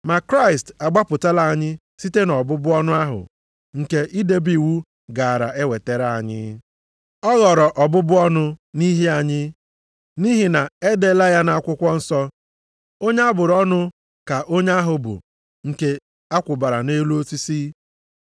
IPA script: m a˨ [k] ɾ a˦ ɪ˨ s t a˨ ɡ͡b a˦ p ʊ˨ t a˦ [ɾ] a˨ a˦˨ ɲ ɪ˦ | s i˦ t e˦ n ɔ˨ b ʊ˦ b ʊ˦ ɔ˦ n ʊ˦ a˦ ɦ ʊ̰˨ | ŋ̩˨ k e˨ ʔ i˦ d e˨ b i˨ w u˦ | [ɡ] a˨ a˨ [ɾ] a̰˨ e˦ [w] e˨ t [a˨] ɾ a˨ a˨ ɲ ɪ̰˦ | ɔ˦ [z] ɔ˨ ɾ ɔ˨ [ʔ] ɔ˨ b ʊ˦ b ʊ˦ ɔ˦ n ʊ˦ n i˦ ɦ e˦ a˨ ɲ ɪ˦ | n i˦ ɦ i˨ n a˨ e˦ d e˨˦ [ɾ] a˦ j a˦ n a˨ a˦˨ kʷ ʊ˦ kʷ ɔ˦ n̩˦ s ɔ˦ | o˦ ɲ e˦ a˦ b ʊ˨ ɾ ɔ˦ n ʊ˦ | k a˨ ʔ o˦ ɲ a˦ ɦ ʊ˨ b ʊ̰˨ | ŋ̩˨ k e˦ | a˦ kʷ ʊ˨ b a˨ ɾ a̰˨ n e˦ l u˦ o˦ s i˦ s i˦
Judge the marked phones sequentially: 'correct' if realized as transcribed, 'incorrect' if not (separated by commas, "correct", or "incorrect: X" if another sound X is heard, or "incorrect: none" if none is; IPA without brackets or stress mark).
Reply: correct, incorrect: l, correct, correct, correct, incorrect: e˨, incorrect: ɣ, correct, incorrect: l